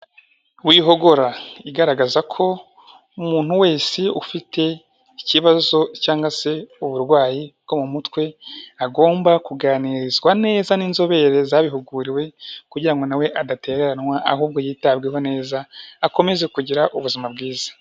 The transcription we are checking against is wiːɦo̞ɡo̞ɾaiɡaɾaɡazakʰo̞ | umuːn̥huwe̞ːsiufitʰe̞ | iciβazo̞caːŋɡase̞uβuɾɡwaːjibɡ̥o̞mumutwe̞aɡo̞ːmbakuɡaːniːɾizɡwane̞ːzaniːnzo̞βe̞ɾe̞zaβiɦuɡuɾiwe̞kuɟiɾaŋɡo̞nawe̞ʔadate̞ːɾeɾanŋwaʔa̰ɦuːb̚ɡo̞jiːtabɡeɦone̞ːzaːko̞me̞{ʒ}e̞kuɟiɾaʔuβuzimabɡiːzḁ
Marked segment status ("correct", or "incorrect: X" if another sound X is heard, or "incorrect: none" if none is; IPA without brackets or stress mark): incorrect: z